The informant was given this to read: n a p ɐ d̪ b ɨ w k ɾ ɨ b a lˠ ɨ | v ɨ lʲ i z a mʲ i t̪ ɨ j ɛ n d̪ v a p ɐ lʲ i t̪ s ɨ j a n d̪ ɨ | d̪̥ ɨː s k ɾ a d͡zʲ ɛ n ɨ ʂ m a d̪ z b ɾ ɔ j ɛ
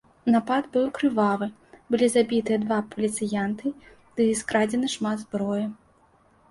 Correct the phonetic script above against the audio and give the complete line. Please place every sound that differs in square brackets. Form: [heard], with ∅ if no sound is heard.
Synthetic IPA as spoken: n a p [a] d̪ b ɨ w k ɾ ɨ [v] a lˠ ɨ | [b] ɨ lʲ i z a [bʲ] i t̪ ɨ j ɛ [∅] d̪ v a p ɐ lʲ i t̪ s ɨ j a n [t̪] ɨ | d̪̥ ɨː s k ɾ a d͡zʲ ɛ n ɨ ʂ m a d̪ z b ɾ ɔ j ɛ